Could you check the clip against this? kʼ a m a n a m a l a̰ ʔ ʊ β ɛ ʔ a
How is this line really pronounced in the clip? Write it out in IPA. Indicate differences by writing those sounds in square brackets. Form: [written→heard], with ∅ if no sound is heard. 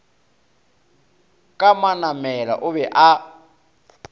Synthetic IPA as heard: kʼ a m a n a m [a→ɛ] l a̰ ʔ ʊ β ɛ ʔ a